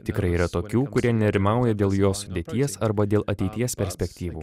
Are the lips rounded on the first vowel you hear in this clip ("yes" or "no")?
no